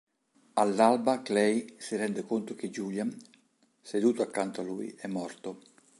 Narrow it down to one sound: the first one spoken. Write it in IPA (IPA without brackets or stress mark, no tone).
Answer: a